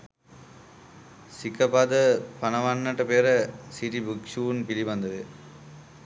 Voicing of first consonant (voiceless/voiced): voiceless